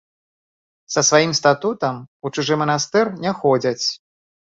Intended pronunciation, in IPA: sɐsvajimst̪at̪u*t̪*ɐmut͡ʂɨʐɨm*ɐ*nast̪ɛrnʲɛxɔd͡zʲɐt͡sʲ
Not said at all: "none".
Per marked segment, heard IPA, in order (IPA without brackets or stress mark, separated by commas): t̪, ɐ